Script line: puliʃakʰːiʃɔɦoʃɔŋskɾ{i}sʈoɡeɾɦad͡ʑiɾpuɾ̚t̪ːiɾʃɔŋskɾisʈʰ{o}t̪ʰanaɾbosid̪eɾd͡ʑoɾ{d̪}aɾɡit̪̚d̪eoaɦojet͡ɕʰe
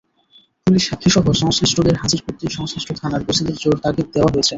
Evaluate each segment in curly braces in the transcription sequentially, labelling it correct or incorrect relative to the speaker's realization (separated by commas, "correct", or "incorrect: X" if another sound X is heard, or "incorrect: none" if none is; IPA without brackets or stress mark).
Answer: correct, correct, incorrect: t̪